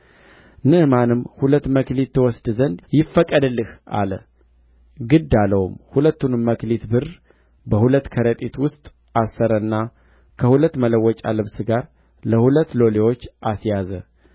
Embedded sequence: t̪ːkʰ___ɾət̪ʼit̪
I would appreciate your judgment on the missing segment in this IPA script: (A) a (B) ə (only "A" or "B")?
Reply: B